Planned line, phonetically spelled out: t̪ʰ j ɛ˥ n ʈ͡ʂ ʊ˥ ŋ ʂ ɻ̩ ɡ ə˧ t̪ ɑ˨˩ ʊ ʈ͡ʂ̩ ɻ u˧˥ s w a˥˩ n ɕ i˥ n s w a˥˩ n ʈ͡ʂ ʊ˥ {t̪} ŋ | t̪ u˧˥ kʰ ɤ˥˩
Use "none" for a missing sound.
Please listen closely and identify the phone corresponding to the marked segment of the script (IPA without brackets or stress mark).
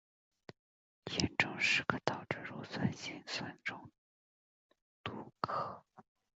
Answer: none